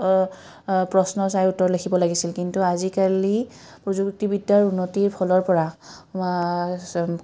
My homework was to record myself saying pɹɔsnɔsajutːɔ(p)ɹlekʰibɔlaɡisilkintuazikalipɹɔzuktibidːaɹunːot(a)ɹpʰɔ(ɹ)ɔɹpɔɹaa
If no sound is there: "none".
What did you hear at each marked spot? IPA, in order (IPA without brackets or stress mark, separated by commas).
none, i, l